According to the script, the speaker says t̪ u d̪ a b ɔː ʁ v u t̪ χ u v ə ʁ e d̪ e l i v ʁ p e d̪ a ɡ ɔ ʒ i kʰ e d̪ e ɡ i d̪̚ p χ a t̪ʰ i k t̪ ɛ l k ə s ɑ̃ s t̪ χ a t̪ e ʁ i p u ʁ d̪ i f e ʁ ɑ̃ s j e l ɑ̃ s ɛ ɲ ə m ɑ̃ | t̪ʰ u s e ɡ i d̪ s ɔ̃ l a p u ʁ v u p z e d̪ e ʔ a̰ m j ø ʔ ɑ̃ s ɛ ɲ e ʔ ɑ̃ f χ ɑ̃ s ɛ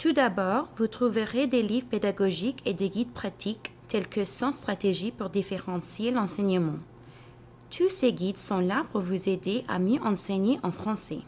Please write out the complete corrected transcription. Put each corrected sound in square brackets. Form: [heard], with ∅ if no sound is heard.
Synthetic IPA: t̪ u d̪ a b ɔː ʁ v u t̪ χ u v ə ʁ e d̪ e l i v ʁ p e d̪ a ɡ ɔ ʒ i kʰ e d̪ e ɡ i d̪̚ p χ a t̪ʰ i k t̪ ɛ l k ə s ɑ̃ s t̪ χ a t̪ e [ʒ] i p u ʁ d̪ i f e ʁ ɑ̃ s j e l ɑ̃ s ɛ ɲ ə m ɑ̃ | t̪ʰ u s e ɡ i d̪ s ɔ̃ l a p u ʁ v u [∅] z e d̪ e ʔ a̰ m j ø ʔ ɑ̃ s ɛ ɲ e ʔ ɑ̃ f χ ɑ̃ s ɛ